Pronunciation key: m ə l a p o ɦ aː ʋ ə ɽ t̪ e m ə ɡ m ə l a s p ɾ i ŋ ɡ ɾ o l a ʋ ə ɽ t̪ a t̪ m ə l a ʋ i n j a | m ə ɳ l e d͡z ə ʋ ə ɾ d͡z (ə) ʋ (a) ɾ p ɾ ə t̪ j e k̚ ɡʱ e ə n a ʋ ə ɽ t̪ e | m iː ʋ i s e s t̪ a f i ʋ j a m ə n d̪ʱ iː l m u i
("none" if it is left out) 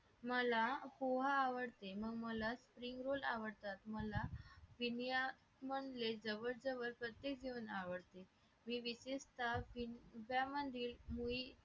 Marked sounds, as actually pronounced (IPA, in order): ə, ə

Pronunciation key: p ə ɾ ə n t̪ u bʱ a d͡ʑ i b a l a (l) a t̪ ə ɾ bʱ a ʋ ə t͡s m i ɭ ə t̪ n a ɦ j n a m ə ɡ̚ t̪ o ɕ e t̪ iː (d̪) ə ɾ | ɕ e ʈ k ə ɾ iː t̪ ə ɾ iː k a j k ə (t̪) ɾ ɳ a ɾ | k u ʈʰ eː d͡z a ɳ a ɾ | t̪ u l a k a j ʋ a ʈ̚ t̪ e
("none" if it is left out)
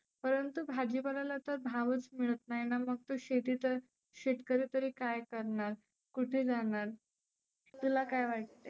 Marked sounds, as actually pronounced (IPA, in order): l, t̪, none

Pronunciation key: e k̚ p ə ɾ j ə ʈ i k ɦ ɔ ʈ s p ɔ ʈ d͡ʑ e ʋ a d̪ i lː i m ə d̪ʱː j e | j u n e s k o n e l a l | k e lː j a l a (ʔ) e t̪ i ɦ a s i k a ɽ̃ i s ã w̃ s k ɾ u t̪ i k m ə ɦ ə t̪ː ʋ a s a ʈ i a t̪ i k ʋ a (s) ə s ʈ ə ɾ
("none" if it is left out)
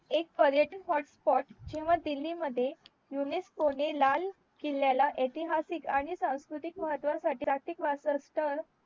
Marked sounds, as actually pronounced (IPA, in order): ʔ, s

